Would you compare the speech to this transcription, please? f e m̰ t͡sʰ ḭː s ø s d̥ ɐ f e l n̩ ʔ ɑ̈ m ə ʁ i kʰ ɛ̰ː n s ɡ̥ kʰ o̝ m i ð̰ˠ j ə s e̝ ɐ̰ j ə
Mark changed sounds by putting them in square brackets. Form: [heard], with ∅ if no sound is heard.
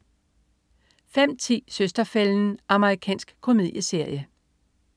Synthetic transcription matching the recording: f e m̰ t͡sʰ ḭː s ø s d̥ ɐ f e l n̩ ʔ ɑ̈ m ə ʁ i kʰ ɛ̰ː n s ɡ̥ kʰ o̝ m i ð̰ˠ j ə s e̝ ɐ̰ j ə